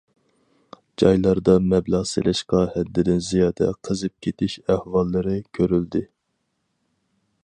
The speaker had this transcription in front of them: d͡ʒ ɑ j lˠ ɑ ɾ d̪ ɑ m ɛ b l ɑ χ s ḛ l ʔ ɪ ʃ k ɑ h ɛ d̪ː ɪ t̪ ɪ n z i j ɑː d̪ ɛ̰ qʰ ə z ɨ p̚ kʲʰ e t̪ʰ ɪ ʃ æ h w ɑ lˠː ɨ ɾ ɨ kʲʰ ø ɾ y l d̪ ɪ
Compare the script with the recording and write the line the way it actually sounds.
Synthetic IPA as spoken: d͡ʒ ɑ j lˠ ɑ ɾ d̪ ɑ m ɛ b l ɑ ʁ s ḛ l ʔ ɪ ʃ q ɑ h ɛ d̪ː ɪ d̪ ɪ n z i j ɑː d̪ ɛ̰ qʰ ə z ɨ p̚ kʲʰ e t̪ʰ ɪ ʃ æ h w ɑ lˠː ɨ ɾ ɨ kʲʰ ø ɾ y l d̪ ɪ